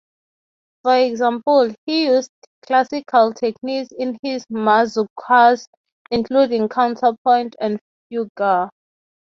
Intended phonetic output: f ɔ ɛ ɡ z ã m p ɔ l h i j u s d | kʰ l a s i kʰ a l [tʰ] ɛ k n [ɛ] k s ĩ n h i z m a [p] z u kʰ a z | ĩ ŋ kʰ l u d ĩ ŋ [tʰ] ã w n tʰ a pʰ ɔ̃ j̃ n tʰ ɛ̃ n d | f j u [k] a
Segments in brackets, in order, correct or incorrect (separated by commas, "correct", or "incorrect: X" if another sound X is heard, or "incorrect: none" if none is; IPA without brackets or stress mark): correct, incorrect: i, incorrect: none, incorrect: kʰ, incorrect: ɡ